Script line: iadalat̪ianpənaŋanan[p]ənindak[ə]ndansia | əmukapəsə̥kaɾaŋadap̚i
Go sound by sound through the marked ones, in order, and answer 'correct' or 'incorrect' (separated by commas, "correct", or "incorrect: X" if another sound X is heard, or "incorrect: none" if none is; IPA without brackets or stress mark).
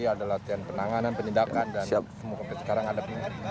correct, incorrect: a